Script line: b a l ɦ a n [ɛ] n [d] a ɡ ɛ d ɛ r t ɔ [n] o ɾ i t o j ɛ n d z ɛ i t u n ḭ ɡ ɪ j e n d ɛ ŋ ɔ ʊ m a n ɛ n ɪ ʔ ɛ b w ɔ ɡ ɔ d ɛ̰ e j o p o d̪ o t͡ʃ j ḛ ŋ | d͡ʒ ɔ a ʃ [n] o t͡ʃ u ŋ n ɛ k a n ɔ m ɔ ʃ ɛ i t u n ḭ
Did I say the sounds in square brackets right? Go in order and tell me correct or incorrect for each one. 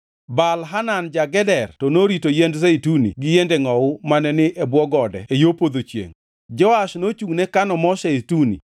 incorrect, incorrect, correct, correct

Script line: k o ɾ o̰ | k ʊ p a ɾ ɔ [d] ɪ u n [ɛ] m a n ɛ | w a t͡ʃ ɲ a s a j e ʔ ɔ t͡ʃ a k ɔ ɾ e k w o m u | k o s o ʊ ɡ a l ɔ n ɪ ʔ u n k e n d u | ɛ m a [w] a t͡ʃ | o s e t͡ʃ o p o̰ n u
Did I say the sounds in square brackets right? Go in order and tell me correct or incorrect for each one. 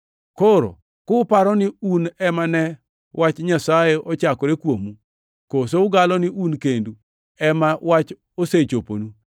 incorrect, correct, correct

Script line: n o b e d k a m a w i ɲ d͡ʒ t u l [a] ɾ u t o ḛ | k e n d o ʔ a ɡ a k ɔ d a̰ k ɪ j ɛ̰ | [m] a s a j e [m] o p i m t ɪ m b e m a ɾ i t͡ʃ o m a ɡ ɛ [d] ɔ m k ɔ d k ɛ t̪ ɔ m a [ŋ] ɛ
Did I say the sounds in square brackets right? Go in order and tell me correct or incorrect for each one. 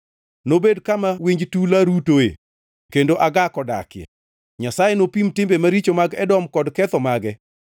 correct, incorrect, incorrect, correct, incorrect

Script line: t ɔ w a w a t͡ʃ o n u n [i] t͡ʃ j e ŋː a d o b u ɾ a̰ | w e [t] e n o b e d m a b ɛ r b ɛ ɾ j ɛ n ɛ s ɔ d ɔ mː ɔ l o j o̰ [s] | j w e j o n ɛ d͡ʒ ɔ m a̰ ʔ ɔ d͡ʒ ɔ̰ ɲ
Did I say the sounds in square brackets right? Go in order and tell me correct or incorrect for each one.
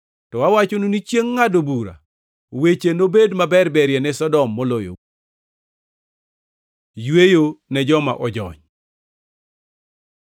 correct, incorrect, incorrect

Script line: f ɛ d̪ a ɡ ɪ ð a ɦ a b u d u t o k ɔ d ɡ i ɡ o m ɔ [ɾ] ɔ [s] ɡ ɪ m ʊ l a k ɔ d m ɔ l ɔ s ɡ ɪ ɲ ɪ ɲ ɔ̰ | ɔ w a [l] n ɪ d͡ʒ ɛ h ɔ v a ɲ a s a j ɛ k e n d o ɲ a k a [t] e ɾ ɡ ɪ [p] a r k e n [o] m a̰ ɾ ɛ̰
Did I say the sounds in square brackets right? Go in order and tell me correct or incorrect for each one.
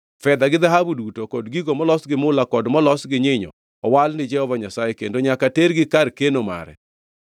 incorrect, correct, correct, correct, incorrect, correct

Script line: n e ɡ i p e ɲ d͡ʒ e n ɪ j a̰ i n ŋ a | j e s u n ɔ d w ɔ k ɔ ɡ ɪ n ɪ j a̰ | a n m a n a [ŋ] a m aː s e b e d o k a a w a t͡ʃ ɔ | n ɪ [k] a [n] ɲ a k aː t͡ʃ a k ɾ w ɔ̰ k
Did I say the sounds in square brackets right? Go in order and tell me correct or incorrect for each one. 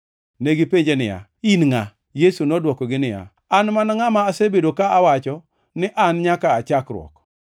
correct, incorrect, correct

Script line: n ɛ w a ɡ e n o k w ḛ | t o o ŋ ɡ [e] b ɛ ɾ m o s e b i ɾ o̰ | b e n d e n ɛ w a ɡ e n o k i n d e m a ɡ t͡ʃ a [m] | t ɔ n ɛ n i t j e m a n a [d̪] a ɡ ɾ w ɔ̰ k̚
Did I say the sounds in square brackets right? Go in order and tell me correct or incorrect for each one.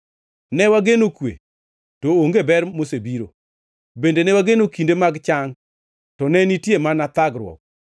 correct, incorrect, incorrect

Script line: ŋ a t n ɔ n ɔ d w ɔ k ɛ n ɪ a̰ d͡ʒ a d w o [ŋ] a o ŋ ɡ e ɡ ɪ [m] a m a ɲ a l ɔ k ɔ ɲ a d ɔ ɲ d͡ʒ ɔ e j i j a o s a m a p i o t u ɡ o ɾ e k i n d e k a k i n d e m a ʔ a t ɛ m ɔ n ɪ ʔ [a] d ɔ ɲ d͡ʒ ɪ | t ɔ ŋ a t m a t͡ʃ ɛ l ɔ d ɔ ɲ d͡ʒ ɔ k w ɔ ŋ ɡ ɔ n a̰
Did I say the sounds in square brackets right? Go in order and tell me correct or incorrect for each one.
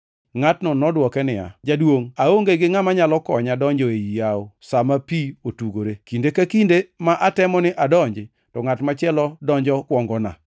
correct, incorrect, correct

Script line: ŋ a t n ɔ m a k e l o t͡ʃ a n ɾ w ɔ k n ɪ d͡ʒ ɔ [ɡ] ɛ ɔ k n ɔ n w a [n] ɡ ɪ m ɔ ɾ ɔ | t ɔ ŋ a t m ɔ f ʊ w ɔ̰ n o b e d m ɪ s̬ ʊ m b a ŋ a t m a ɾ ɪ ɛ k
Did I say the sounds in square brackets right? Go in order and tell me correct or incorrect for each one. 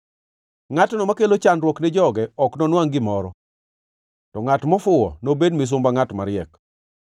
correct, incorrect

